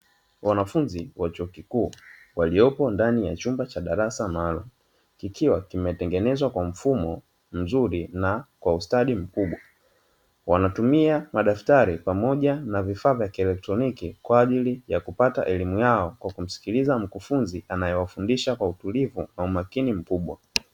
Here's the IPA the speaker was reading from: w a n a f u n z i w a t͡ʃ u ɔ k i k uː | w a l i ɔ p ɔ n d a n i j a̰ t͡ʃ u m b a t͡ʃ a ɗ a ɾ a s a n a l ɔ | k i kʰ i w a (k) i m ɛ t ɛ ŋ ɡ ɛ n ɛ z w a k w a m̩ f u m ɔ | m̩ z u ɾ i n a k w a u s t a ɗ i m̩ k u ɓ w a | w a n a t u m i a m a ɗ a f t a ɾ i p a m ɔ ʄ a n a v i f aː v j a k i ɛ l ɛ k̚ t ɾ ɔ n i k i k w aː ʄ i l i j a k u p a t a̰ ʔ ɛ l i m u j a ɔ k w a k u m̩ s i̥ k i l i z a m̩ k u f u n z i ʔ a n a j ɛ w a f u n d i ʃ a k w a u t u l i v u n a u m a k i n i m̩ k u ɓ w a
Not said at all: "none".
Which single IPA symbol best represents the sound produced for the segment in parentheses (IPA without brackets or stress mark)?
k